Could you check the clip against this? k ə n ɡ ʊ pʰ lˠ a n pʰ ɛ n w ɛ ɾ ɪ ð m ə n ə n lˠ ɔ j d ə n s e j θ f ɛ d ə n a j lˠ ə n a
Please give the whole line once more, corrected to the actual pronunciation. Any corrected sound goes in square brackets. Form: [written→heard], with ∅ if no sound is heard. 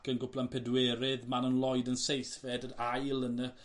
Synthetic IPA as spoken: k ə n ɡ ʊ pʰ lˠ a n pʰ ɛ [n→d] w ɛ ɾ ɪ ð m [ə→a] n ə n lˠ ɔ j d ə n s e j θ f ɛ d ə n a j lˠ ə n [a→ə]